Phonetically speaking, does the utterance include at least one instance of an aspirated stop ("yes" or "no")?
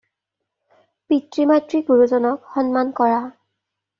no